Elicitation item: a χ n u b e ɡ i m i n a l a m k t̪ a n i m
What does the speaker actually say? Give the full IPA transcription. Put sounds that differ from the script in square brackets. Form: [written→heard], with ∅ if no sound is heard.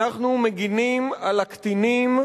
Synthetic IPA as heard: a χ n u [b→m] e ɡ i [m→n] i [n→m] a l a [m→∅] k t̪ [a→i] n i m